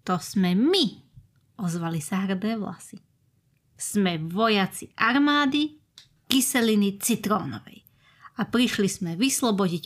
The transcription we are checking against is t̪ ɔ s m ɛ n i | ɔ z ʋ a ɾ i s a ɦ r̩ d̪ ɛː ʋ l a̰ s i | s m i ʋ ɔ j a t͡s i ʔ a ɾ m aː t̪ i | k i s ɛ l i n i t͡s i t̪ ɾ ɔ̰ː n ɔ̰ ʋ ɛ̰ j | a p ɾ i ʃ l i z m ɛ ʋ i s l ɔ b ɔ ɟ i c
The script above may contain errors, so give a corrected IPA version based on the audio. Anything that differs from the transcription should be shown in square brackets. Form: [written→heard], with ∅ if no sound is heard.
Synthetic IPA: t̪ ɔ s m ɛ [n→m] i | ɔ z ʋ a [ɾ→l] i s a ɦ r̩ d̪ ɛː ʋ l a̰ s i | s m [i→ɛ] ʋ ɔ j a t͡s i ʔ a ɾ m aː [t̪→d̪] i | k i s ɛ l i n i t͡s i t̪ ɾ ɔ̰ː n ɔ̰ ʋ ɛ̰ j | a p ɾ i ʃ l i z m ɛ ʋ i s l ɔ b ɔ ɟ i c